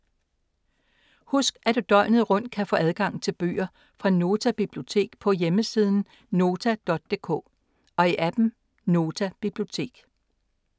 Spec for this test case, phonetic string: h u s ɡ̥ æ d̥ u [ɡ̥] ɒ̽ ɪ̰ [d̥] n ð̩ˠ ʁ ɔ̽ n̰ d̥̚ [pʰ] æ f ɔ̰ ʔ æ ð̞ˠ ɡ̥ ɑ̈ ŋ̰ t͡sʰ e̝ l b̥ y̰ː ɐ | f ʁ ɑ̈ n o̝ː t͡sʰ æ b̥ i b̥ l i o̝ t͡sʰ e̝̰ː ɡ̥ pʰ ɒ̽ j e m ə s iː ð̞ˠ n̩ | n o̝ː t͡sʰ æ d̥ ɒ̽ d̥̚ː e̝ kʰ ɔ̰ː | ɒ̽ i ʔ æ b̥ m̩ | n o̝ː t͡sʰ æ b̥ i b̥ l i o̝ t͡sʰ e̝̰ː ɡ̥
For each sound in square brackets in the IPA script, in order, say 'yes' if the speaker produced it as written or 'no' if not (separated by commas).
no, no, no